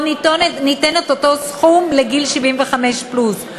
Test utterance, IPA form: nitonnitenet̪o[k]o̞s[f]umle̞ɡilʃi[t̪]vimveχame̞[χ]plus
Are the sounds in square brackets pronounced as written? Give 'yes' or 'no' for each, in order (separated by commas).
no, no, no, no